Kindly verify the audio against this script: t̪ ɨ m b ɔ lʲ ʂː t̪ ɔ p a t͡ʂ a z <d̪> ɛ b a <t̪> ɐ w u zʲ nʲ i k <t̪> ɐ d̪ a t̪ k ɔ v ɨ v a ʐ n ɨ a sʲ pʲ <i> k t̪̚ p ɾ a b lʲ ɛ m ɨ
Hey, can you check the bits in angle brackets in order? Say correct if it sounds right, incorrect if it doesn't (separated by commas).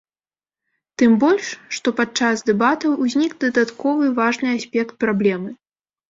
correct, correct, incorrect, incorrect